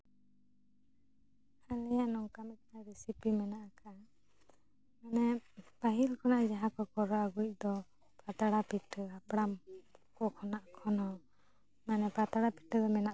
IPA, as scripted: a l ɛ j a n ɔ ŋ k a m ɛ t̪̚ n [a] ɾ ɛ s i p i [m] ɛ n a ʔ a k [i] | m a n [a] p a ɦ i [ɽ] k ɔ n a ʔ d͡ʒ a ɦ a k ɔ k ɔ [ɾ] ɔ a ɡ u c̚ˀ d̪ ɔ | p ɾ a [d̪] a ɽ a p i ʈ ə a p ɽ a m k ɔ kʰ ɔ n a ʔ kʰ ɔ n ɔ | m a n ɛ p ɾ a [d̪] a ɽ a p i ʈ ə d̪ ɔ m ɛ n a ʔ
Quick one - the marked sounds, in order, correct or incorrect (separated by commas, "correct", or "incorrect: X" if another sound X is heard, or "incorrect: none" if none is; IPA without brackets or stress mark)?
correct, correct, incorrect: a, incorrect: ɛ, incorrect: l, correct, incorrect: t̪, incorrect: t̪